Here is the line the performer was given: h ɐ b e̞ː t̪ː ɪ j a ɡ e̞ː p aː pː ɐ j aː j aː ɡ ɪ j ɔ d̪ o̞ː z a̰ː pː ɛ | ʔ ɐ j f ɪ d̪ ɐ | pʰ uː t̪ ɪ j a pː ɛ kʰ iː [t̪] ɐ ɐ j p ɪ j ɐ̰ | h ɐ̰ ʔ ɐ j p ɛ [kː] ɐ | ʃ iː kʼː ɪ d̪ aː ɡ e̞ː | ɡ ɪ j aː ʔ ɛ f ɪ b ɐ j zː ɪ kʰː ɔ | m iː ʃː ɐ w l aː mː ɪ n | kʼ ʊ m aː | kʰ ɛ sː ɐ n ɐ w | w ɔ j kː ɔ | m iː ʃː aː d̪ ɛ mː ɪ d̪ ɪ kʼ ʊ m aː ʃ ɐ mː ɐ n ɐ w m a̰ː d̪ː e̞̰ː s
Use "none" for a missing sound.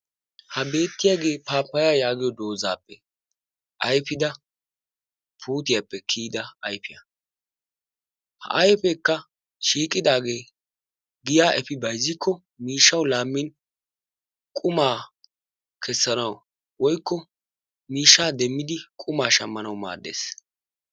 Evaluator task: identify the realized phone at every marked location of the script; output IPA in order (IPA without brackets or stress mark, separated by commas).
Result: d̪, kː